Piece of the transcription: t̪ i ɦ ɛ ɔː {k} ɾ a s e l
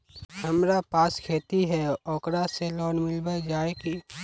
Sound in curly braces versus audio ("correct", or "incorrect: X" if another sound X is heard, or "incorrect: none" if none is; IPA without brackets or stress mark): correct